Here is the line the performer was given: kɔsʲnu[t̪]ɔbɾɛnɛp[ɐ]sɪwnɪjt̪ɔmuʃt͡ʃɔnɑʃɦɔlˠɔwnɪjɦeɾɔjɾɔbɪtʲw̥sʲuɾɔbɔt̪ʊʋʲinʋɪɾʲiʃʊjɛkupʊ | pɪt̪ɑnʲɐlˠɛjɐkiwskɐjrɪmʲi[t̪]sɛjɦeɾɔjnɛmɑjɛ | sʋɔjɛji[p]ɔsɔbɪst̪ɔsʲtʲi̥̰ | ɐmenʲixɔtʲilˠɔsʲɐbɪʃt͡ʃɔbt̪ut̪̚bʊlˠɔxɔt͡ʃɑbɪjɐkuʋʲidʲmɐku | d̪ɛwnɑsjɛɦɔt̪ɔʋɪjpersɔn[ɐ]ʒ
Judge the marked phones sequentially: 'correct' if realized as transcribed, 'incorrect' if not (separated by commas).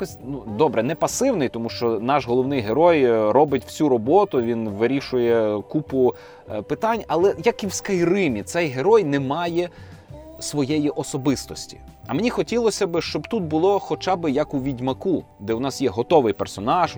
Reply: incorrect, correct, correct, incorrect, incorrect